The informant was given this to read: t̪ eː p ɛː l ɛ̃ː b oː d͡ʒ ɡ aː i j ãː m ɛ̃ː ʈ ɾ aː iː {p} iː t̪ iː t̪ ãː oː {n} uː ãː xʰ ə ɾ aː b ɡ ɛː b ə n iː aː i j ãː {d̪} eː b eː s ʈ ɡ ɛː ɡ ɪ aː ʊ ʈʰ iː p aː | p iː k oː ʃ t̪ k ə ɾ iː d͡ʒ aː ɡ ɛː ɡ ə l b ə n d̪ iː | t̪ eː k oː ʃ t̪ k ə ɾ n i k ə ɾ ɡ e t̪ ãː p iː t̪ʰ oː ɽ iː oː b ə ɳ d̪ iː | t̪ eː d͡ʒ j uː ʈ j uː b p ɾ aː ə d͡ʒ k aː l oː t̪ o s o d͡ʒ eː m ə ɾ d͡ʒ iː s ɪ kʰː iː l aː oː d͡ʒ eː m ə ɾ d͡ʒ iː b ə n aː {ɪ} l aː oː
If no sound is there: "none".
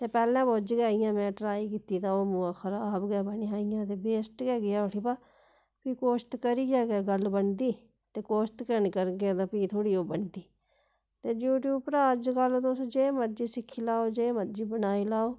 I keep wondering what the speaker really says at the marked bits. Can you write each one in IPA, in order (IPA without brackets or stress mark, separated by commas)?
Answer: k, m, t̪, i